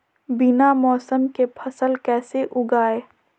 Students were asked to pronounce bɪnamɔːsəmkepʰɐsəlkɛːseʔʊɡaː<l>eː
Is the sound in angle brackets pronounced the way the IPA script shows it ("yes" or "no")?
no